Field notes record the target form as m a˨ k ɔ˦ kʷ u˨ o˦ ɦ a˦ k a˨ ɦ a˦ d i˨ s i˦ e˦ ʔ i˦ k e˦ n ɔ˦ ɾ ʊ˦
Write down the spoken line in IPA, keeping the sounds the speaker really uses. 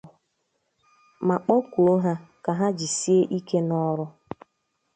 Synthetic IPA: m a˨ k͡p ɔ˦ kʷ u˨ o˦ ɦ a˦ k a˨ ɦ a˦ d͡ʒ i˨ s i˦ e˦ ʔ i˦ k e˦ n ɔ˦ ɾ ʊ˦